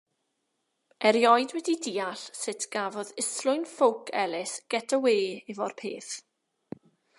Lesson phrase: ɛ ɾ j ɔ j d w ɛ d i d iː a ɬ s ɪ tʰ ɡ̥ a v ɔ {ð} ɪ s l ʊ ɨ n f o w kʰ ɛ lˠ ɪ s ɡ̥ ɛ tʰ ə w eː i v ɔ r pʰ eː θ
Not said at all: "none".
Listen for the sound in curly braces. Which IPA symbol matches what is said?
ð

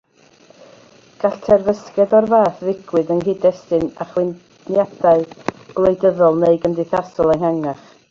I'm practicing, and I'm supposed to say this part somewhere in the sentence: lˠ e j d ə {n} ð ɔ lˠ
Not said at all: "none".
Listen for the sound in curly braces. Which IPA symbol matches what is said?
none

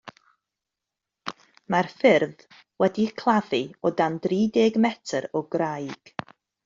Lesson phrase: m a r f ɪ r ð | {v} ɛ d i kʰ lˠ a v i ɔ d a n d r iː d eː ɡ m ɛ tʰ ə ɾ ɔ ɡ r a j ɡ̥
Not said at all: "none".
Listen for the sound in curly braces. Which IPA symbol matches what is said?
w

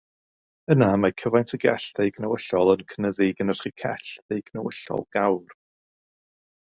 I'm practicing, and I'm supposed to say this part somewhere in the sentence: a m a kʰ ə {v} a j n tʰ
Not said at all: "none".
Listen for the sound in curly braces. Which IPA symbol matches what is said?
v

